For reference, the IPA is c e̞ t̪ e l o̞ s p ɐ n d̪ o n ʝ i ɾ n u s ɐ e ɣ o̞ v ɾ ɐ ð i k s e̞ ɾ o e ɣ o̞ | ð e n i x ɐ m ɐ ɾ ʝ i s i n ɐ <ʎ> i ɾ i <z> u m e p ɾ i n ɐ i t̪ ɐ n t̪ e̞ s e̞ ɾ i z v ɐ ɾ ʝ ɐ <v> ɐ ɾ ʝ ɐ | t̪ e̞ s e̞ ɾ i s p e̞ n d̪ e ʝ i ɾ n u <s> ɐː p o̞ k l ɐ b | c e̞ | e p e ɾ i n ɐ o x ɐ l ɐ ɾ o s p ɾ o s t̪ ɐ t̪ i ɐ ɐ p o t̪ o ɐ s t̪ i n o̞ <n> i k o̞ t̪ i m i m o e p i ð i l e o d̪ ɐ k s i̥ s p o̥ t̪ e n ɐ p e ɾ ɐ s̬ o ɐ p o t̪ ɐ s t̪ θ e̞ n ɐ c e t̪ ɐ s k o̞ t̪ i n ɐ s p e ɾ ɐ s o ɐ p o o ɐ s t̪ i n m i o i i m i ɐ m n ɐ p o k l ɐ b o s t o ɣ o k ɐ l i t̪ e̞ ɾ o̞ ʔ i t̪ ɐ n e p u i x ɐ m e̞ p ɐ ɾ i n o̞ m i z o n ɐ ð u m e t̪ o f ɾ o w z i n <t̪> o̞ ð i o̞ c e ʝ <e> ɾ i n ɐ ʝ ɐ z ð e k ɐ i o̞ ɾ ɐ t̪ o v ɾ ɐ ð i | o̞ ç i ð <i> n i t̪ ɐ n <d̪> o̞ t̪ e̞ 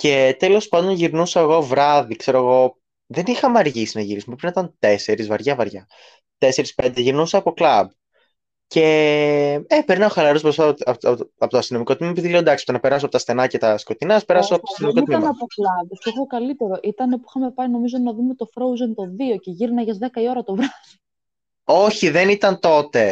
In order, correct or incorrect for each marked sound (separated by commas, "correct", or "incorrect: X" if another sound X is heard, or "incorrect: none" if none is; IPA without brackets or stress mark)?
incorrect: ʝ, incorrect: s, correct, correct, incorrect: m, correct, incorrect: i, incorrect: e, incorrect: t̪